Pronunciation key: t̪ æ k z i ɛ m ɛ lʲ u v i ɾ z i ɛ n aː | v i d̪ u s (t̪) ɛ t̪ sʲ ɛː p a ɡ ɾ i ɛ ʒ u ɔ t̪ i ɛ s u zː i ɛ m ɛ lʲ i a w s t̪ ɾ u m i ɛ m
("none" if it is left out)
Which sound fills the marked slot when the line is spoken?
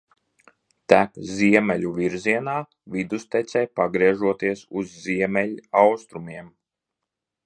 t̪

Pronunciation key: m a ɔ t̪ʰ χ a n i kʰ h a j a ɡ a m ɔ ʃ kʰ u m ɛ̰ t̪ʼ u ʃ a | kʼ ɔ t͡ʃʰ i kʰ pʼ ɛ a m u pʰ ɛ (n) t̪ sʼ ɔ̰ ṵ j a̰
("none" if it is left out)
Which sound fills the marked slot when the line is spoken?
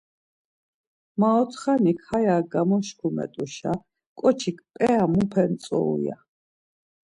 n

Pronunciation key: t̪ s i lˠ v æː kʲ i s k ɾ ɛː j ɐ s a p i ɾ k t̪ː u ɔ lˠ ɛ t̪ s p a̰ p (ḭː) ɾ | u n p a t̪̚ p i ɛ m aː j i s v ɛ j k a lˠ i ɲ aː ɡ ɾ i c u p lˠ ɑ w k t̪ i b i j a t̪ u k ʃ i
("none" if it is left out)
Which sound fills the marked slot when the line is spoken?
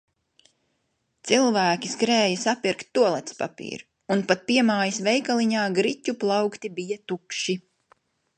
ḭː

